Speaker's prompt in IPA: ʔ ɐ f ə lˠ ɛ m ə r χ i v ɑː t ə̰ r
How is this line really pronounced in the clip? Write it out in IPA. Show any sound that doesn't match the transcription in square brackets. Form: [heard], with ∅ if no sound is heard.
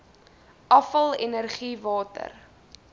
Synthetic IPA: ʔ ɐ f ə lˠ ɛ [n] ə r χ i v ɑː t ə̰ r